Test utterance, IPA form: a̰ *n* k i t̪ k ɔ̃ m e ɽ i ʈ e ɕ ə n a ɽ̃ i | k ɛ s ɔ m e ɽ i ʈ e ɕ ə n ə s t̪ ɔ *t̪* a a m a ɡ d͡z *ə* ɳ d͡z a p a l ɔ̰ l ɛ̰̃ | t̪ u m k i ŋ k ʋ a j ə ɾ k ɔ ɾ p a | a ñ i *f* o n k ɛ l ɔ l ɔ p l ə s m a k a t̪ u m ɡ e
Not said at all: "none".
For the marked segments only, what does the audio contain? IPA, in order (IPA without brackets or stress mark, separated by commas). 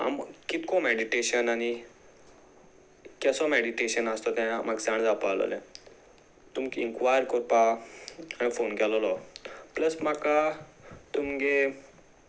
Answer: m, t̪, a, f